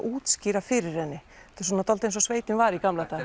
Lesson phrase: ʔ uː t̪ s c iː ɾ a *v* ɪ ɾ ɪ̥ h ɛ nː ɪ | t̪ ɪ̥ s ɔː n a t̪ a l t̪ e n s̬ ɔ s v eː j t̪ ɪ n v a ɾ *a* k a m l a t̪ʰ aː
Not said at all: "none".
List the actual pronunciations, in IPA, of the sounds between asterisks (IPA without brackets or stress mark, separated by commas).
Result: f, i